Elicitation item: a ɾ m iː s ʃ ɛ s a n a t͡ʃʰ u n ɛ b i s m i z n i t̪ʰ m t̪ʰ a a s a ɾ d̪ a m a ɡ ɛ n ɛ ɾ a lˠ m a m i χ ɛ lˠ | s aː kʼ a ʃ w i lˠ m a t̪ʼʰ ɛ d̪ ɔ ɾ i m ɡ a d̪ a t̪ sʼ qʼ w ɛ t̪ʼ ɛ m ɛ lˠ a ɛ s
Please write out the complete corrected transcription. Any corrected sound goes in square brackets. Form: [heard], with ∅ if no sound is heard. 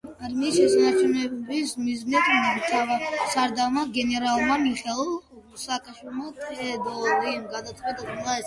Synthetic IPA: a ɾ m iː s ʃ ɛ s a n a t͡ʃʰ u n ɛ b i s m i z n i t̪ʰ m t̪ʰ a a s a ɾ d̪ a m a ɡ ɛ n ɛ ɾ a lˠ m a m i χ ɛ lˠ | s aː kʼ a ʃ w i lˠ m a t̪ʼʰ ɛ d̪ ɔ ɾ i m ɡ a d̪ a t̪ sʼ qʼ w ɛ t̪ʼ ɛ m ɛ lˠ a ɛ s

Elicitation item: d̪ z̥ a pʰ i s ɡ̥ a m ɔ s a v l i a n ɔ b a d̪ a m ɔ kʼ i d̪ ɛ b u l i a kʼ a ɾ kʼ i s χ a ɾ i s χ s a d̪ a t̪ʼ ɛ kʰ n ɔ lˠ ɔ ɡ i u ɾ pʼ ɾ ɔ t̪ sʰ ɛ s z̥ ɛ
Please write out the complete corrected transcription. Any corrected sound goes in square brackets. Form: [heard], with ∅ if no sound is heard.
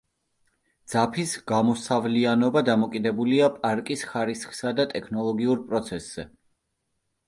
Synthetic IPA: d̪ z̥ a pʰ i s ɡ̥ a m ɔ s a v l i a n ɔ b a d̪ a m ɔ kʼ i d̪ ɛ b u l i a [pʼ] a ɾ kʼ i s χ a ɾ i s χ s a d̪ a t̪ʼ ɛ kʰ n ɔ lˠ ɔ ɡ i u ɾ pʼ ɾ ɔ t̪ sʰ ɛ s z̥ ɛ

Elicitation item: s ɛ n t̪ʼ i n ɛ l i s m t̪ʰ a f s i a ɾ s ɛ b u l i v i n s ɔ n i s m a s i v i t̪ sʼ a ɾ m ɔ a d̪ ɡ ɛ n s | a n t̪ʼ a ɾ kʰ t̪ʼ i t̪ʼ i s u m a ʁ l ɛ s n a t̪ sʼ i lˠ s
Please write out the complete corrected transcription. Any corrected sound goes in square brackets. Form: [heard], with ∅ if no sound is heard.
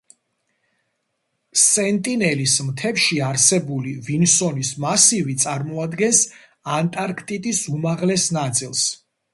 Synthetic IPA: s ɛ n t̪ʼ i n ɛ l i s m t̪ʰ [ɛ] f [ʃ] i a ɾ s ɛ b u l i v i n s ɔ n i s m a s i v i t̪ sʼ a ɾ m ɔ a d̪ ɡ ɛ n s | a n t̪ʼ a ɾ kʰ t̪ʼ i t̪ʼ i s u m a ʁ l ɛ s n a t̪ sʼ i lˠ s

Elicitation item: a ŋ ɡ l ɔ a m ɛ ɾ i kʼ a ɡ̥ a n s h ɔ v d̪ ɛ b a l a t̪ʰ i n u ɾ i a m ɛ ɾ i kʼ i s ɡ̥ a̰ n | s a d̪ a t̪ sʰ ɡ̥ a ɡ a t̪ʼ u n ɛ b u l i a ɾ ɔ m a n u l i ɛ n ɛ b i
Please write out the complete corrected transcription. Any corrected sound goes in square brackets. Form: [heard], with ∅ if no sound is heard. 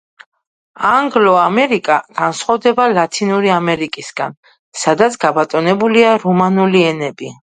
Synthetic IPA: a ŋ ɡ l ɔ a m ɛ ɾ i kʼ a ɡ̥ a n s [χ] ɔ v d̪ ɛ b a l a t̪ʰ i n u ɾ i a m ɛ ɾ i kʼ i s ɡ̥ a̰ n | s a d̪ a t̪ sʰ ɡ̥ a [b] a t̪ʼ [ɔ] n ɛ b u l i a ɾ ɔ m a n u l i ɛ n ɛ b i

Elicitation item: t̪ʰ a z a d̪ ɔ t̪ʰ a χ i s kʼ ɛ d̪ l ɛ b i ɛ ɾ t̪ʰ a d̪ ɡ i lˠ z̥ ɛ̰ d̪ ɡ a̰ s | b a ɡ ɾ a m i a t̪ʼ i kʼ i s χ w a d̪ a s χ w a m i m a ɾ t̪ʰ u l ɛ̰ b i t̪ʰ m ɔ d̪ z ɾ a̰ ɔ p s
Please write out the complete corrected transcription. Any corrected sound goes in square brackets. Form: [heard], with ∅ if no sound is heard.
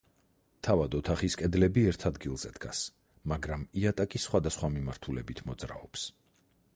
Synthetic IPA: t̪ʰ a [v] a d̪ ɔ t̪ʰ a χ i s kʼ ɛ d̪ l ɛ b i ɛ ɾ t̪ʰ a d̪ ɡ i lˠ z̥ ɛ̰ d̪ ɡ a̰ s | [m] a ɡ ɾ a m i a t̪ʼ [a] kʼ i s χ w a d̪ a s χ w a m i m a ɾ t̪ʰ u l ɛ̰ b i t̪ʰ m ɔ d̪ z ɾ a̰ ɔ p s

